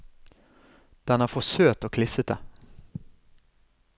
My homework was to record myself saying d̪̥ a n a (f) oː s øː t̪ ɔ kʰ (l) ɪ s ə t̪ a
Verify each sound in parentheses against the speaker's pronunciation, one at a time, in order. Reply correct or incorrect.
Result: correct, correct

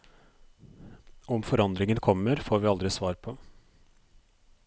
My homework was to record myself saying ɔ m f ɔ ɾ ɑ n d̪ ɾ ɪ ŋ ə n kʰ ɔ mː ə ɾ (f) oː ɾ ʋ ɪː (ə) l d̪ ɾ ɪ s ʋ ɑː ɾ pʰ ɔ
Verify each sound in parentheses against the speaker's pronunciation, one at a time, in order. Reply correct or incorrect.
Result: correct, incorrect

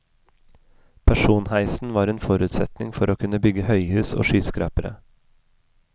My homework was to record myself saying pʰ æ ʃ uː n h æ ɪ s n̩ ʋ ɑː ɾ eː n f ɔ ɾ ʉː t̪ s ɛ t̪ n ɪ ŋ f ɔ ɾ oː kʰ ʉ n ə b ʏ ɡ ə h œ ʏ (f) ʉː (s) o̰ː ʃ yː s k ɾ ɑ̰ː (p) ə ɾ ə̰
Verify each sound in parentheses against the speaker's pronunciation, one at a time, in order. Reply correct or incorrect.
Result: incorrect, correct, correct

